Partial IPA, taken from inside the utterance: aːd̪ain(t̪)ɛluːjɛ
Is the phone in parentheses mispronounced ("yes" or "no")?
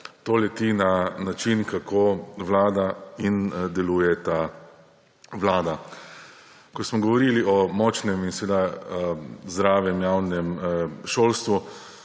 yes